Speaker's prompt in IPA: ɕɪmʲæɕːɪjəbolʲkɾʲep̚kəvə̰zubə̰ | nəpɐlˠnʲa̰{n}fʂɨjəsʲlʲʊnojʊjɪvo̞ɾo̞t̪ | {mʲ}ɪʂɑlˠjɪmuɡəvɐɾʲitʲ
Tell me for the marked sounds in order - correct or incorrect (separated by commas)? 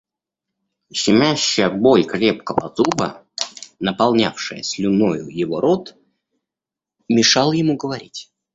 incorrect, correct